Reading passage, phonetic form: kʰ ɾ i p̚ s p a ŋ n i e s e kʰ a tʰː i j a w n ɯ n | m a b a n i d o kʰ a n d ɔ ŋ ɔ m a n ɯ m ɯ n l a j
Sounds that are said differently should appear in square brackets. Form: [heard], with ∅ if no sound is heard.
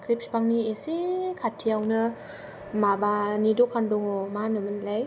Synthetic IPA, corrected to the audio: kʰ ɾ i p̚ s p a ŋ n i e s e kʰ a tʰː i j a w n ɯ [∅] | m a b a n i d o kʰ a n d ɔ ŋ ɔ m a n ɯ m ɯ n l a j